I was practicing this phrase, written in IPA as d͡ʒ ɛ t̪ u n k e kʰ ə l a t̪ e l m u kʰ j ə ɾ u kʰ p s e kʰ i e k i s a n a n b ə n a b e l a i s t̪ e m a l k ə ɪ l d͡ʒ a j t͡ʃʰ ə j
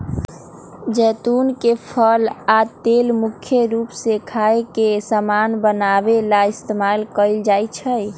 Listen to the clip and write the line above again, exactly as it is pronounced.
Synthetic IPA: d͡ʒ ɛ t̪ u n k e pʰ ə l a t̪ e l m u kʰ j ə ɾ u p s e kʰ a e k e s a m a n b ə n a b e l a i s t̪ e m a l k ə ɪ l d͡ʒ a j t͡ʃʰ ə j